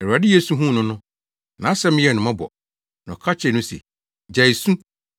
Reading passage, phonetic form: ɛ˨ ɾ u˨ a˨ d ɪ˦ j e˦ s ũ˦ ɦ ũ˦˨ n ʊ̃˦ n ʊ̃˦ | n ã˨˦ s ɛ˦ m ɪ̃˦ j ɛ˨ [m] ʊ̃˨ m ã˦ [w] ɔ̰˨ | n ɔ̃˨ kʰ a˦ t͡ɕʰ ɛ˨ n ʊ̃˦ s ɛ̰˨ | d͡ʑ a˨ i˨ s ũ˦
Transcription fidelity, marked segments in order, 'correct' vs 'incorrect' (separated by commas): incorrect, incorrect